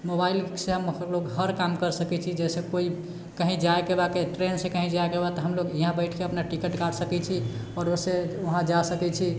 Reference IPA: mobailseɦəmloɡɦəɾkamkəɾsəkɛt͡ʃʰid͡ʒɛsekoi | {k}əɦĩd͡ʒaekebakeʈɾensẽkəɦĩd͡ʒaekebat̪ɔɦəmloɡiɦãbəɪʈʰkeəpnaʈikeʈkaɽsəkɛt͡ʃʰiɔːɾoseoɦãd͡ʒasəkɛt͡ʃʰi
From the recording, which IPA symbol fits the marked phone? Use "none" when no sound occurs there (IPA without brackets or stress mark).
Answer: k